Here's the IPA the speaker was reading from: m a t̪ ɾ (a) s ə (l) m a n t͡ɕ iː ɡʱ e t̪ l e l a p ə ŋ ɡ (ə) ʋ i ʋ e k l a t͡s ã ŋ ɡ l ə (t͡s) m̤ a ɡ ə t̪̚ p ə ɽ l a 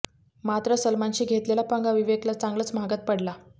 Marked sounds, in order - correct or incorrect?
incorrect: ə, correct, incorrect: a, correct

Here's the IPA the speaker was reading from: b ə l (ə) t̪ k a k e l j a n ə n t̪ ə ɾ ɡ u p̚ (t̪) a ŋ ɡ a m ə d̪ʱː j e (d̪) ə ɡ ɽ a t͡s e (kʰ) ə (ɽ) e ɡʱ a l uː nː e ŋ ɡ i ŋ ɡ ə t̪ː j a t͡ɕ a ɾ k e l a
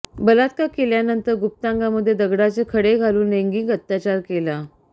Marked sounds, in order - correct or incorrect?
incorrect: a, correct, correct, correct, correct

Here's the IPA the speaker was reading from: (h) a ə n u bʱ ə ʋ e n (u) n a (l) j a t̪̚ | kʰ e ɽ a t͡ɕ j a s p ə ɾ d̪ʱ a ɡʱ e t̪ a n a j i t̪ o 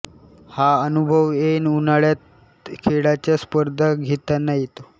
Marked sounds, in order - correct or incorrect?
correct, correct, incorrect: ɭ

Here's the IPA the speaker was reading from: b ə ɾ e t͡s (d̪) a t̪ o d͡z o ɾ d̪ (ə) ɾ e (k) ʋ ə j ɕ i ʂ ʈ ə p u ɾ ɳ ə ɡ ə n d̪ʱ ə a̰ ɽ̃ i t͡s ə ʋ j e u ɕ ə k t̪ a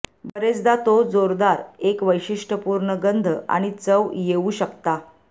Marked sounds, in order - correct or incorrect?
correct, incorrect: a, correct

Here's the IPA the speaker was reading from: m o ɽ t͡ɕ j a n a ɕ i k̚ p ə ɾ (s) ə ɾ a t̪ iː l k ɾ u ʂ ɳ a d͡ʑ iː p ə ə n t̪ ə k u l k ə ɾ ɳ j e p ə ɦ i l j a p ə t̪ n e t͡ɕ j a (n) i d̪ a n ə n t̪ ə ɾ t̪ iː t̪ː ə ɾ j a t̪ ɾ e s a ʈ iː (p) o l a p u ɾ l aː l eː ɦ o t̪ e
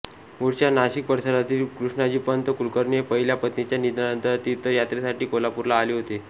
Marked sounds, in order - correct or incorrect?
correct, correct, incorrect: k

